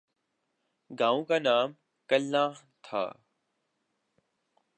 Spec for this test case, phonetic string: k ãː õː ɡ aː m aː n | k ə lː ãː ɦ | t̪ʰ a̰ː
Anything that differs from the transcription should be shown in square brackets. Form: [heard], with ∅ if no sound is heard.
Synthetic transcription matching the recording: [ɡ] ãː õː [k] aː [n] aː [m] | k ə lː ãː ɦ | t̪ʰ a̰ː